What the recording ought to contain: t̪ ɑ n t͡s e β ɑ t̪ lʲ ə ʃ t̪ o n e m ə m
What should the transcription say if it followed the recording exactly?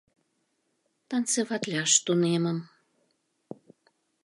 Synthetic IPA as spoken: t̪ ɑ n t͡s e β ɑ t̪ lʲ ɑ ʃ t̪ u n e m ə m